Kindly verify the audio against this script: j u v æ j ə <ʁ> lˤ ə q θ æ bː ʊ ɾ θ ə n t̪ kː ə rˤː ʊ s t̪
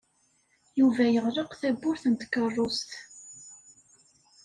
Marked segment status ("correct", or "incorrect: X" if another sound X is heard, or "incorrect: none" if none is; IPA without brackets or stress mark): correct